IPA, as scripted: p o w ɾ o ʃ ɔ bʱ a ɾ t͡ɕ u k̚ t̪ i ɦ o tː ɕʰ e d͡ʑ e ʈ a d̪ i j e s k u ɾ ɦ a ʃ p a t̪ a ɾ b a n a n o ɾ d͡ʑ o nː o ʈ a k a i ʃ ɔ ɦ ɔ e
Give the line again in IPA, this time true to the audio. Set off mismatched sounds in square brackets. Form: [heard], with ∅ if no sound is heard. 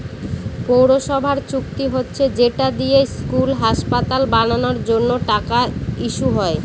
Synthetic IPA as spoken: p o w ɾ o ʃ ɔ bʱ a ɾ t͡ɕ u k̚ t̪ i ɦ o tː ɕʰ e d͡ʑ e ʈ a d̪ i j e s k u [l] ɦ a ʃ p a t̪ a [l] b a n a n o ɾ d͡ʑ o nː o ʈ a k a i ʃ [u] ɦ ɔ e